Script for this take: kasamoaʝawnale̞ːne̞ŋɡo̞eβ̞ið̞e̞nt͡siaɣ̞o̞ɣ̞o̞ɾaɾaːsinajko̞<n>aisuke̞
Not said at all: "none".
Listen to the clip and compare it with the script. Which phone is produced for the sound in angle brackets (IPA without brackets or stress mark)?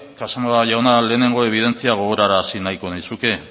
n